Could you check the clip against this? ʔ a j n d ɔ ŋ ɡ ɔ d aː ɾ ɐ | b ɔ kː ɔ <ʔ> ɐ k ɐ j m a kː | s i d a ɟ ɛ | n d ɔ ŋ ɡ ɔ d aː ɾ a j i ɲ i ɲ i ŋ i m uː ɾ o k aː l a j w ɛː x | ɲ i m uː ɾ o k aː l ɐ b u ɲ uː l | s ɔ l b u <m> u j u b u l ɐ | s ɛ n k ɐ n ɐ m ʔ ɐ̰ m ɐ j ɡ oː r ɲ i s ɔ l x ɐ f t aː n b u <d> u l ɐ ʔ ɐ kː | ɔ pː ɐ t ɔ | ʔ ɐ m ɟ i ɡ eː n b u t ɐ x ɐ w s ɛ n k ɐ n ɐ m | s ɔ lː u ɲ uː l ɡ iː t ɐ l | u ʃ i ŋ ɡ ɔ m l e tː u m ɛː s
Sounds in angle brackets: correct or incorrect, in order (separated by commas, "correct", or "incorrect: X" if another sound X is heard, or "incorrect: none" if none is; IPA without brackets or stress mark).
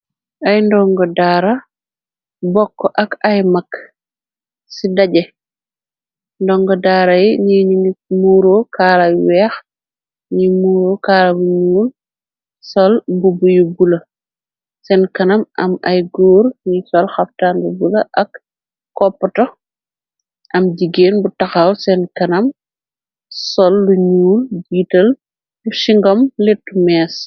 correct, incorrect: b, incorrect: b